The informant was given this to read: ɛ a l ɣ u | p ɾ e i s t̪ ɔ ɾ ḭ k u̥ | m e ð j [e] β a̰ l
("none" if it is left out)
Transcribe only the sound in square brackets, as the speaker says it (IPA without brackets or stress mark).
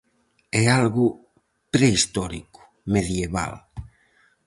e